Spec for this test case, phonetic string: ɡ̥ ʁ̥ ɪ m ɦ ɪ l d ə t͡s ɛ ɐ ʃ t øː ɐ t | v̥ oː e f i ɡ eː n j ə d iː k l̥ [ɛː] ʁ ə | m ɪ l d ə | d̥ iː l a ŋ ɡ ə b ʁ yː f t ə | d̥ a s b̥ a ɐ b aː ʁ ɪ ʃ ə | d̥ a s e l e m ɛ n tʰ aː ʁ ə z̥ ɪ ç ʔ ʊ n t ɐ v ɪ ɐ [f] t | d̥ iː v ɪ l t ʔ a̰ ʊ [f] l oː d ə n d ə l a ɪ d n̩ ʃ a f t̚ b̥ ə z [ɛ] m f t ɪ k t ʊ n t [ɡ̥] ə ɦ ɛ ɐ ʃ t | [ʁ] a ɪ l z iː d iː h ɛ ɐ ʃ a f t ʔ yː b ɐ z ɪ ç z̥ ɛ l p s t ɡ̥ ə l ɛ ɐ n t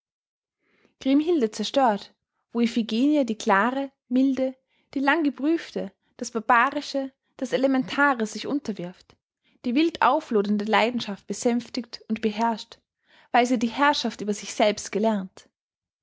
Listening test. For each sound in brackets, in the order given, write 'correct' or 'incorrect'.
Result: incorrect, correct, correct, correct, incorrect, incorrect

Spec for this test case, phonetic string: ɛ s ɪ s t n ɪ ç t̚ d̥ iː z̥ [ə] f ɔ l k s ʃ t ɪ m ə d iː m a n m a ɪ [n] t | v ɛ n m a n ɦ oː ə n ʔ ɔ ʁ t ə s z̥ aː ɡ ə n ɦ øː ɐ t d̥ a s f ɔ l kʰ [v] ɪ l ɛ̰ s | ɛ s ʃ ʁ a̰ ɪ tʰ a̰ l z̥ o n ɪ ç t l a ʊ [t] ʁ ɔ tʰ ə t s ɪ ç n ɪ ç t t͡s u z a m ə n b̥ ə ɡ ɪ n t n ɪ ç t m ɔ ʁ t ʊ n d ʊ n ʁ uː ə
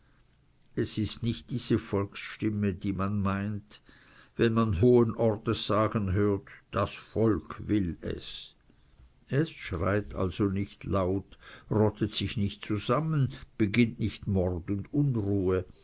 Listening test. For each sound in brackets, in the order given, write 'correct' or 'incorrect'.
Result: correct, correct, correct, correct

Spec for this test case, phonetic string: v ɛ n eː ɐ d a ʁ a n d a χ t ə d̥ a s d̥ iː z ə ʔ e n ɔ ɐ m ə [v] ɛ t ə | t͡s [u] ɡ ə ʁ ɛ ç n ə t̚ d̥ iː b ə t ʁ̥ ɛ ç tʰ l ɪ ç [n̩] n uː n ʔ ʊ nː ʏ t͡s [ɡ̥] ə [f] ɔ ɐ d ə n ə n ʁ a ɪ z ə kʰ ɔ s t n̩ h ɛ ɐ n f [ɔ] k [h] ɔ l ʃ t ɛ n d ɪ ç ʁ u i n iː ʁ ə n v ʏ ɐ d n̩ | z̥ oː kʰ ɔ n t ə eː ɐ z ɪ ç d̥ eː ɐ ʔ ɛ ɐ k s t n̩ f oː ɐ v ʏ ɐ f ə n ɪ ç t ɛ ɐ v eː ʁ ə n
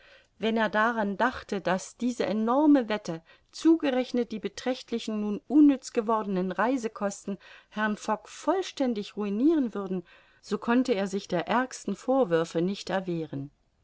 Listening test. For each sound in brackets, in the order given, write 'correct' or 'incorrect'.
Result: correct, incorrect, correct, correct, incorrect, correct, incorrect

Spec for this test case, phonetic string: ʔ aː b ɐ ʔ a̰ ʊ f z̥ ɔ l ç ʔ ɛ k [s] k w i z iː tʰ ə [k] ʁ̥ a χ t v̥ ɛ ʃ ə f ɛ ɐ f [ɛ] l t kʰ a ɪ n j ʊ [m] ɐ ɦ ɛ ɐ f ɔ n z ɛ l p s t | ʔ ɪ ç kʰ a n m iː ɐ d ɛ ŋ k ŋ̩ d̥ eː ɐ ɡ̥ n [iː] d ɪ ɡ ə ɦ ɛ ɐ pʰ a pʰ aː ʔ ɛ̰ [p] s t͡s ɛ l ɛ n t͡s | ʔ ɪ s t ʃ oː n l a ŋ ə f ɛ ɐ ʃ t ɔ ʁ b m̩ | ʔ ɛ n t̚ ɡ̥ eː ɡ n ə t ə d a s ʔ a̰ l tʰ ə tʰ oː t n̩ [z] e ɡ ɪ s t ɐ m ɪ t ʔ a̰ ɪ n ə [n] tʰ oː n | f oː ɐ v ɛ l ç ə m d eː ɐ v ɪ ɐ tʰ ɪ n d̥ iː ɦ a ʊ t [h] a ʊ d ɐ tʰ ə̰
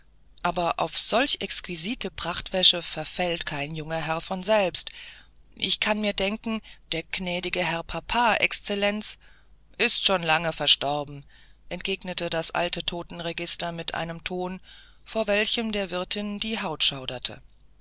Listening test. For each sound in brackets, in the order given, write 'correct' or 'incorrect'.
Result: correct, incorrect, correct, incorrect, incorrect, incorrect, incorrect, incorrect, incorrect

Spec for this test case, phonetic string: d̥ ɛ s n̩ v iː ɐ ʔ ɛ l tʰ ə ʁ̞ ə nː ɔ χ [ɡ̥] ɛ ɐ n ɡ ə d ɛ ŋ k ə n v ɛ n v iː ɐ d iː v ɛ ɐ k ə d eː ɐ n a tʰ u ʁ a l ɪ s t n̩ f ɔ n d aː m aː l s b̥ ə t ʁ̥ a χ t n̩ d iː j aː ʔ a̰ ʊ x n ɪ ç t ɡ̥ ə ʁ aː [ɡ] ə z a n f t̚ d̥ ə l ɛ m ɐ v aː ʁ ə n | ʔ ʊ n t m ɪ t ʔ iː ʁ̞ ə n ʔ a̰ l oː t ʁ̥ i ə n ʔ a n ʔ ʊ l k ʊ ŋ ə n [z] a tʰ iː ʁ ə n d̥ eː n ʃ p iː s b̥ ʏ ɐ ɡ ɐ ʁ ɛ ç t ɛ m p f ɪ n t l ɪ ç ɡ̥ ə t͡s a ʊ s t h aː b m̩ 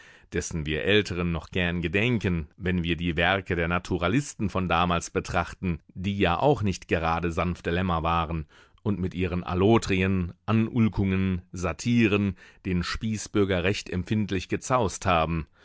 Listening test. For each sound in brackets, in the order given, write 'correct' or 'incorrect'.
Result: correct, incorrect, correct

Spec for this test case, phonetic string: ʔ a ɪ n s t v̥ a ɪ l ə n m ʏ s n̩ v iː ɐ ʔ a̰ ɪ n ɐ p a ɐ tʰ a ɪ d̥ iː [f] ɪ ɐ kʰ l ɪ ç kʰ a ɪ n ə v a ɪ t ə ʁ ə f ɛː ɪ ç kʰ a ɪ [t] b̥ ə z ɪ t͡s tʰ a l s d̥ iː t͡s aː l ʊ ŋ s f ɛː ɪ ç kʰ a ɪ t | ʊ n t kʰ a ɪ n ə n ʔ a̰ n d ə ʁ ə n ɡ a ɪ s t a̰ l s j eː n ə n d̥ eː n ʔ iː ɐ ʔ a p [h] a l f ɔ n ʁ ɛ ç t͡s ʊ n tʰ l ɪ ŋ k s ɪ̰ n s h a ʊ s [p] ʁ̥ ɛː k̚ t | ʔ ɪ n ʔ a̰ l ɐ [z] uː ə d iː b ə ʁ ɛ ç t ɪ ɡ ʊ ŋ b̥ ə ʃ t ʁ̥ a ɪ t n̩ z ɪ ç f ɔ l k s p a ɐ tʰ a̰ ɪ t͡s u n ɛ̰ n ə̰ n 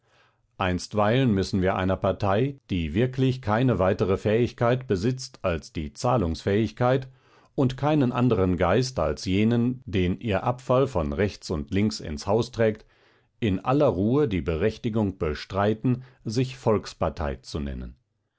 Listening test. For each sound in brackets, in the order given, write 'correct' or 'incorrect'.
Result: incorrect, correct, incorrect, incorrect, incorrect

